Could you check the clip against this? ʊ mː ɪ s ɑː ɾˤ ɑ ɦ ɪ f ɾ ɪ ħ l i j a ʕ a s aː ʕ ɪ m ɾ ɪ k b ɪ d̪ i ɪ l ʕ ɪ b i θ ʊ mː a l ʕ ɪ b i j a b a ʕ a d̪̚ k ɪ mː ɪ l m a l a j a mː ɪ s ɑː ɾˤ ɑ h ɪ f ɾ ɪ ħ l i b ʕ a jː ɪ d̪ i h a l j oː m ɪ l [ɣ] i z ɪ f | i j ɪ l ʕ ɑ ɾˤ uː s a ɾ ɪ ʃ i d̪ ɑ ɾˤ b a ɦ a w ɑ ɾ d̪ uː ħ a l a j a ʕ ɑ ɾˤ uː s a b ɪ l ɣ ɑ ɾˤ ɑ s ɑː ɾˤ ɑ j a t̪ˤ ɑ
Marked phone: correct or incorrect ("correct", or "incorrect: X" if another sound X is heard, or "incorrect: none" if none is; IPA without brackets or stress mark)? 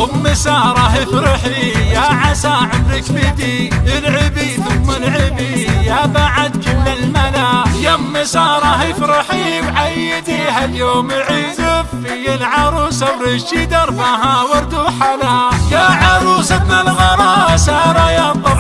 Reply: incorrect: ʕ